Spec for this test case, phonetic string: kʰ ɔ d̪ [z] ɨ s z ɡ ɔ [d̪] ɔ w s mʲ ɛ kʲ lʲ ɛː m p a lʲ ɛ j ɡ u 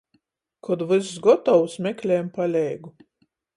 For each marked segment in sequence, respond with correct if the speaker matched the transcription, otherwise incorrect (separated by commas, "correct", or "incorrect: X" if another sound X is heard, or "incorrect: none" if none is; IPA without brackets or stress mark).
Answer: incorrect: v, incorrect: t̪